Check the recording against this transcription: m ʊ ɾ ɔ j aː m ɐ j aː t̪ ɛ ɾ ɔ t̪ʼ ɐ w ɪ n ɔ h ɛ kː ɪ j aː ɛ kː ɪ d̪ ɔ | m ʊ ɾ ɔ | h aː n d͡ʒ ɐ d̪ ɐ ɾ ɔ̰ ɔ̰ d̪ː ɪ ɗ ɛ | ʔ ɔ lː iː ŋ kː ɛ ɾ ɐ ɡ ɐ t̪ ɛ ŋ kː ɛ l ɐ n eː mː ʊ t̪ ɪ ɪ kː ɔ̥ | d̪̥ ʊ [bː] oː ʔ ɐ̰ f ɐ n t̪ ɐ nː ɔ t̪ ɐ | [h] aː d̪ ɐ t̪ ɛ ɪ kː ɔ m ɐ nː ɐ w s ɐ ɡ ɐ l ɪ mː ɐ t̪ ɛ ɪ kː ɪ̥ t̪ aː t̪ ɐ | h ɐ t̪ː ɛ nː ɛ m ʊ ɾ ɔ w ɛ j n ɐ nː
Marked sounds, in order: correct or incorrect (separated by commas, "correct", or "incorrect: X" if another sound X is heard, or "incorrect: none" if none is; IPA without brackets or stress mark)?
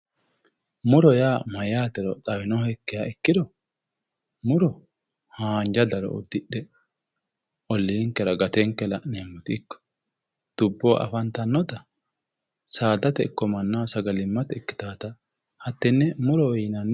correct, incorrect: s